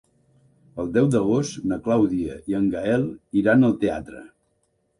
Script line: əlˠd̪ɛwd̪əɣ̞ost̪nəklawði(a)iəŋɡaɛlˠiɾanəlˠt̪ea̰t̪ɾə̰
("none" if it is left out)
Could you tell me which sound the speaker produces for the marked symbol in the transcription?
ə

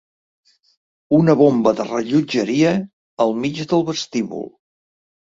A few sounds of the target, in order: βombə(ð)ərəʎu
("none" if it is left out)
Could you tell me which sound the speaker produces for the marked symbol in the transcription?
ð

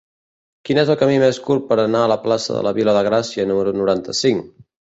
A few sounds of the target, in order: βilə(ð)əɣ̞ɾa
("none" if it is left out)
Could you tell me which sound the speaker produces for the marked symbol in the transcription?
ð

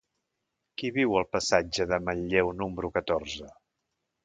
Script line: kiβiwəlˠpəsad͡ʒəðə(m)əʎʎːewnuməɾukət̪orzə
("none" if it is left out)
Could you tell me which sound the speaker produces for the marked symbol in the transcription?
m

